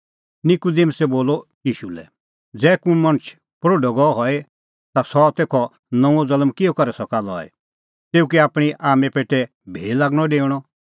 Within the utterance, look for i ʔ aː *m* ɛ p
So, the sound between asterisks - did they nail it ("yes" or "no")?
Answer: yes